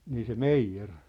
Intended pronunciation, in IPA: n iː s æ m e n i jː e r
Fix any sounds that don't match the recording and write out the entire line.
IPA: n iː s e m e i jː e r